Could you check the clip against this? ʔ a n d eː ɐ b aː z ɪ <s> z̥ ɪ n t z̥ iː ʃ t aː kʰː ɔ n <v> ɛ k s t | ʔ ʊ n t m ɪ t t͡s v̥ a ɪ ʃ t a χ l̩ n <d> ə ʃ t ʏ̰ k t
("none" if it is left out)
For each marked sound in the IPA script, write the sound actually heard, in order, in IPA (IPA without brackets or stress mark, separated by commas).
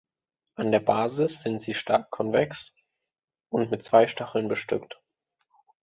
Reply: s, v, b